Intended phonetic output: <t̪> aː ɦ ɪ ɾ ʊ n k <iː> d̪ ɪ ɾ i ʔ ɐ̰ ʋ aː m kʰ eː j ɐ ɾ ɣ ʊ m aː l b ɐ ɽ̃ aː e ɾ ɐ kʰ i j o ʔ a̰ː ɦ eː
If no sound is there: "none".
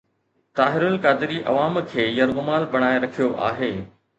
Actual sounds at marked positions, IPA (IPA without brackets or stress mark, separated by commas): t̪, aː